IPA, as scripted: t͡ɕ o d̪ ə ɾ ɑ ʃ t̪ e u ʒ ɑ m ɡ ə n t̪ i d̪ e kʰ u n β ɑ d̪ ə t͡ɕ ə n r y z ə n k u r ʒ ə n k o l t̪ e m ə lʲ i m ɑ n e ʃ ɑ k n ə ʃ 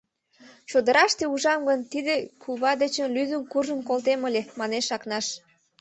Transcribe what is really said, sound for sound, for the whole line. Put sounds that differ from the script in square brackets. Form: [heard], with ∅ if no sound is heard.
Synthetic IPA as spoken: t͡ɕ o d̪ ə ɾ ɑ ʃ t̪ e u ʒ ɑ m ɡ ə n t̪ i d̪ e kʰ u [∅] β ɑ d̪ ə t͡ɕ ə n [l] y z ə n k u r ʒ ə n k o l t̪ e m ə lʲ [e] m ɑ n e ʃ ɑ k n [ɑ] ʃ